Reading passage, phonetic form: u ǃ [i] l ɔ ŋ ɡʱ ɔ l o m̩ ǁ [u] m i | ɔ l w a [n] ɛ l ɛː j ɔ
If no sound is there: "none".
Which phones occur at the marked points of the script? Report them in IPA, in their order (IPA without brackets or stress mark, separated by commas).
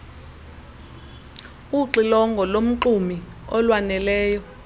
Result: i, u, n